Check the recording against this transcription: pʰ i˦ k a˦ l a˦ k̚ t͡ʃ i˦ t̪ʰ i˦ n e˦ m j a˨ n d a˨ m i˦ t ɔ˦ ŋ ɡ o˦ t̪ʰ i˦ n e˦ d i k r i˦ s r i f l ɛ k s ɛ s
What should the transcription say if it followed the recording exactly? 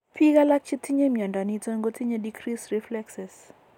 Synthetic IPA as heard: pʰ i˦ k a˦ l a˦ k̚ t͡ʃ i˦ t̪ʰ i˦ ɲ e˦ m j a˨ n d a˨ n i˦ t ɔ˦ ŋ ɡ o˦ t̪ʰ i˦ ɲ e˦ d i k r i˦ s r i f l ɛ k s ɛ s